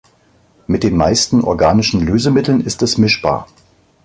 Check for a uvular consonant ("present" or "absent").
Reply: absent